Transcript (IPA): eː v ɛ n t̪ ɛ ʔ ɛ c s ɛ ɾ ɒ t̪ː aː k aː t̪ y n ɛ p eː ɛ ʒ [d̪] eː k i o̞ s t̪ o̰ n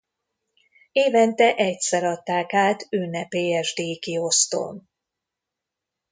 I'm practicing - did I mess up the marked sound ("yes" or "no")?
no